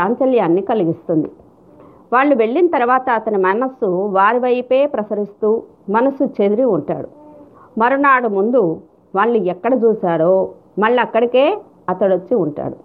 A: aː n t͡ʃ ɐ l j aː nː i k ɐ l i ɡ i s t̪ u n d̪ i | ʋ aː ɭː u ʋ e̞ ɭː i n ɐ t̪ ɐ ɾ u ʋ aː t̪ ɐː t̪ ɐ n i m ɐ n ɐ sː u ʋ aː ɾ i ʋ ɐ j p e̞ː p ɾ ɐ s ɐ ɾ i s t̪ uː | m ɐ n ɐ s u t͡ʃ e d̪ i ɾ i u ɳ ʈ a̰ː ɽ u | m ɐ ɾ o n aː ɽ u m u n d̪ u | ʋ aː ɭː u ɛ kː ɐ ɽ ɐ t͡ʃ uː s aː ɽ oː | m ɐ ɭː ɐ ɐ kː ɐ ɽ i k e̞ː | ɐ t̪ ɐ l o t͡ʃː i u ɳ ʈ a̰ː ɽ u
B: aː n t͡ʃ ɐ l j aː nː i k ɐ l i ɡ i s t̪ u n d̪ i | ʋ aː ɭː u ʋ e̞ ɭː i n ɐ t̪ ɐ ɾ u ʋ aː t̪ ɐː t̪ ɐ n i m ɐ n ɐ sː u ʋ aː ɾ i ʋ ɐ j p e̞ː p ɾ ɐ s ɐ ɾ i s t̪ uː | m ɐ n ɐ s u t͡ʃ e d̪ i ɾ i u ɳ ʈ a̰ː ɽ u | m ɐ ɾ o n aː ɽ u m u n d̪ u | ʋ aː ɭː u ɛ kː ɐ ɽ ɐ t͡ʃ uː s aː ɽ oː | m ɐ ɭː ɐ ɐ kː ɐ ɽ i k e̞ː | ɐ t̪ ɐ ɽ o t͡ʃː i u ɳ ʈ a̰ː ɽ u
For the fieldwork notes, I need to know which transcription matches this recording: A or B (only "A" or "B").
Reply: B